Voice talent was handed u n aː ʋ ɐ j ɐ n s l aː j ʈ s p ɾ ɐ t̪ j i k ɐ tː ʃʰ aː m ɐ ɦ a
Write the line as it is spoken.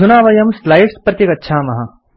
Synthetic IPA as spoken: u n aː ʋ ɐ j ɐ m s l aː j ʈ s p ɾ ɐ t̪ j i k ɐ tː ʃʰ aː m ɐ ɦ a